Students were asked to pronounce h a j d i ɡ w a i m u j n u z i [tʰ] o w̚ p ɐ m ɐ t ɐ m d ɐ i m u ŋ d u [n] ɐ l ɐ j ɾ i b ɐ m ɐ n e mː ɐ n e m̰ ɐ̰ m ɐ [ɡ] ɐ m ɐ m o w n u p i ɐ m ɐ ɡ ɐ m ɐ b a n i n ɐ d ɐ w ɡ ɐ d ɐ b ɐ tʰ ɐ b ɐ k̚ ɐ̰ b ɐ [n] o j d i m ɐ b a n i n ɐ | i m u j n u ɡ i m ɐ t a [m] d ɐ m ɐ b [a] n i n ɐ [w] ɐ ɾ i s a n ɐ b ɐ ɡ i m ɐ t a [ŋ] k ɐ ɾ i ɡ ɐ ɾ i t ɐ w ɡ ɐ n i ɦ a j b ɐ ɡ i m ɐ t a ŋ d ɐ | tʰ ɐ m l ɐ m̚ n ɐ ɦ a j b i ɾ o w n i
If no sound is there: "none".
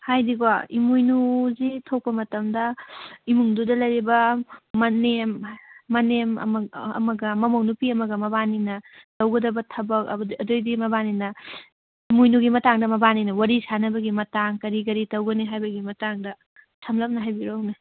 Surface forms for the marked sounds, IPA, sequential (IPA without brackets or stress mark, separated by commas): tʰ, d, ɡ, d, ŋ, a, w, ŋ